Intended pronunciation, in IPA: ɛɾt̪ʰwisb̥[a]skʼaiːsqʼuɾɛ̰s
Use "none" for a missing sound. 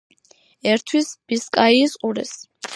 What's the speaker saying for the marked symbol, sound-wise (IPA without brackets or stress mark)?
i